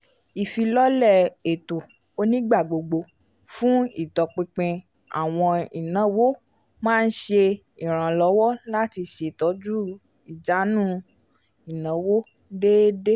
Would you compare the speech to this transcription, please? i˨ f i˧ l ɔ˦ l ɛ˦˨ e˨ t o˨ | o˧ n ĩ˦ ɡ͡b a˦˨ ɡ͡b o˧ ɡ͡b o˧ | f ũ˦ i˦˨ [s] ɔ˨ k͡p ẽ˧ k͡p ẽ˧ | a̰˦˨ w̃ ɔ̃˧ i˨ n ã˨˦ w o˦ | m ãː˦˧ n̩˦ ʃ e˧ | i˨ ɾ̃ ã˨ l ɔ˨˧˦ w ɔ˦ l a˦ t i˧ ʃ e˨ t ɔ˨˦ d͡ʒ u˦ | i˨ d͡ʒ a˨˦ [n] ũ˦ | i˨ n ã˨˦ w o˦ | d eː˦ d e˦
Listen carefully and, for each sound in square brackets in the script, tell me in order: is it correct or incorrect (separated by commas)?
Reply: incorrect, correct